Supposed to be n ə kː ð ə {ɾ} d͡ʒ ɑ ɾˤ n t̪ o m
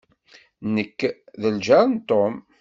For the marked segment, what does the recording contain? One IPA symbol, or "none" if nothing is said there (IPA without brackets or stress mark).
l